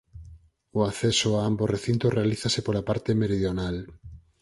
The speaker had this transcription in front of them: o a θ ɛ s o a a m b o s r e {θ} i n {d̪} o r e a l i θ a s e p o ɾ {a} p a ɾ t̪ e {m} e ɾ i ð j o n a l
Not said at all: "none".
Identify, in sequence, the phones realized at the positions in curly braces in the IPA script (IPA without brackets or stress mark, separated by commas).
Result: θ, t̪, a, m